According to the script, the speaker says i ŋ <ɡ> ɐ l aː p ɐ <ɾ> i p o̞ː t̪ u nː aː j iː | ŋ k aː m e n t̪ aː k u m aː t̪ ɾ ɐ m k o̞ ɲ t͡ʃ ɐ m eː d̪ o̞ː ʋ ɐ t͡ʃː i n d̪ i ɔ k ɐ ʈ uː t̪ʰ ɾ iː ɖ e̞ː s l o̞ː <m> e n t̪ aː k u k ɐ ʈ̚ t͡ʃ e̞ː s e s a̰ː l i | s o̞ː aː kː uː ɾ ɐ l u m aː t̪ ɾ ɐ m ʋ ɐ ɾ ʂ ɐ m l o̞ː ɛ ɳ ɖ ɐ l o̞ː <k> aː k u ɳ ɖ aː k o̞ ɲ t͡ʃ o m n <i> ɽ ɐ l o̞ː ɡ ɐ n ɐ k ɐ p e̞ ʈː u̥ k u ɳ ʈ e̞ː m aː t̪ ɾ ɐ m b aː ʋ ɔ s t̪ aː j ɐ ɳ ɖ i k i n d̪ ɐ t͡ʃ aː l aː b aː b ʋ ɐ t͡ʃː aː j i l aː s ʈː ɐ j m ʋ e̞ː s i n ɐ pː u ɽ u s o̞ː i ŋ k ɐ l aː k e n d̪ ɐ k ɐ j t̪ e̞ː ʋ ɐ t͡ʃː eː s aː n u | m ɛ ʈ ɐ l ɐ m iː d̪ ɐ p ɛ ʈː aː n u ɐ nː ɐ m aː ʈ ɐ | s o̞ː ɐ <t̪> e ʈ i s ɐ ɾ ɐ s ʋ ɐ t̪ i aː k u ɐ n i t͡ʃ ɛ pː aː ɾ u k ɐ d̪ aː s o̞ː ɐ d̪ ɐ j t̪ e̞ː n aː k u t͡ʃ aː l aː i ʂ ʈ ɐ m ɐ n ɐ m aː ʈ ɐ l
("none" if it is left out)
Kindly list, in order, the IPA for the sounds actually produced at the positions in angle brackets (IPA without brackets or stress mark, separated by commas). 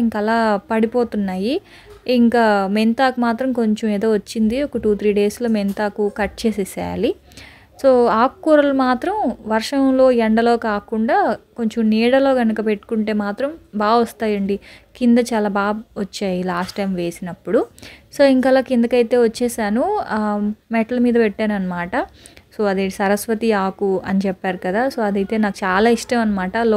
k, ɽ, m, k, iː, d̪